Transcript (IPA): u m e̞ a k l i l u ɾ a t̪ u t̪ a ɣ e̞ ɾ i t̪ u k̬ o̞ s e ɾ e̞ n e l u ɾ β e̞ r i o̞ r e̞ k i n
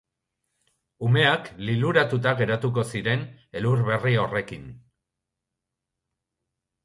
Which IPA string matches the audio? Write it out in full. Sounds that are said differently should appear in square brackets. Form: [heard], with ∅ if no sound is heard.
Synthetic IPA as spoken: u m e̞ a k l i l u ɾ a t̪ u t̪ a ɣ e̞ ɾ [a] t̪ u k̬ o̞ s [i] ɾ e̞ n e l u ɾ β e̞ r i o̞ r e̞ k i n